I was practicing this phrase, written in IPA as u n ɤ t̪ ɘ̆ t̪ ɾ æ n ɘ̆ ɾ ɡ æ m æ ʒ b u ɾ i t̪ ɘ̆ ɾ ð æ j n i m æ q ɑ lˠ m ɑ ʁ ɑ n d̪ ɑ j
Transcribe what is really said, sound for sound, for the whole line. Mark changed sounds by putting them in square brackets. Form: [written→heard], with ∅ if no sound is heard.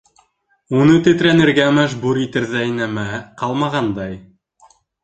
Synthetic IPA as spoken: u n ɤ t̪ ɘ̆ t̪ ɾ æ n ɘ̆ ɾ ɡ æ m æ ʒ b u ɾ i t̪ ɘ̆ ɾ ð æ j n [i→æ] m æ q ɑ lˠ m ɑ ʁ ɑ n d̪ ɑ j